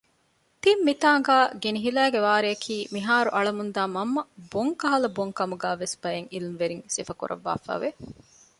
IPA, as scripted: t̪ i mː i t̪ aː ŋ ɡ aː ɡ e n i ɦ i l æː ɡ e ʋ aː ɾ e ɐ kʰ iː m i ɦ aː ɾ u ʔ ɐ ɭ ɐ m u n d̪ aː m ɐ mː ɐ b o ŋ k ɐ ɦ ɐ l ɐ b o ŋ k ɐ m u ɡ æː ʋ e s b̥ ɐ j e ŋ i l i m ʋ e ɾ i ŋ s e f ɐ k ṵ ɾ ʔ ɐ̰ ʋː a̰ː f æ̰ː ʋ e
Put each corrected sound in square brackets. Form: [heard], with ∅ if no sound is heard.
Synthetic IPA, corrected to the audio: t̪ i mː i t̪ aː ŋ ɡ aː ɡ e n i ɦ i l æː ɡ e ʋ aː ɾ e ɐ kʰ iː m i ɦ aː ɾ u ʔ ɐ ɭ ɐ m u n d̪ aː m ɐ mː ɐ b o ŋ k ɐ ɦ ɐ l ɐ b o ŋ k ɐ m u ɡ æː ʋ e s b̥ ɐ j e ŋ i l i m ʋ e ɾ i ŋ s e f ɐ k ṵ ɾ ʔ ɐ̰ ʋː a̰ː f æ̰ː ʋ e